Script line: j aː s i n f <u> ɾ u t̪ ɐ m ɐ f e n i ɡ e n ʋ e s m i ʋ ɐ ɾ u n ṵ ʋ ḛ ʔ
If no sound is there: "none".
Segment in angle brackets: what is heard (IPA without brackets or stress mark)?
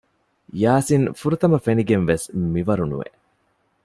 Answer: u